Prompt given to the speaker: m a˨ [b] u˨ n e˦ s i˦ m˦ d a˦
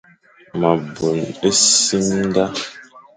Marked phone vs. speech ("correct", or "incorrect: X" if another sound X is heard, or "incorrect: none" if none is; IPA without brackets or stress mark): correct